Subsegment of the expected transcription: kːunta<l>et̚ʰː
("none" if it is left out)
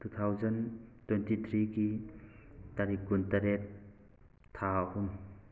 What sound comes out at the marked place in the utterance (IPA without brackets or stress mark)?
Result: ɾ